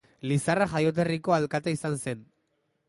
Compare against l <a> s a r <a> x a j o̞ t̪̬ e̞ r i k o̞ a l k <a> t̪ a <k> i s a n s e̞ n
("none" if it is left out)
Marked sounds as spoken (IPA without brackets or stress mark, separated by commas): i, a, a, none